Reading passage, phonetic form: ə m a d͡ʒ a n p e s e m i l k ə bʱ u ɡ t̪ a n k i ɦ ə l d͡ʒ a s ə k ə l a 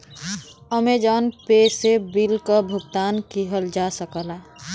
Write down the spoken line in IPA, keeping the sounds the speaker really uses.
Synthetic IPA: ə m e d͡ʒ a n p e s e b i l k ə bʱ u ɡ t̪ a n k i ɦ ə l d͡ʒ a s ə k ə l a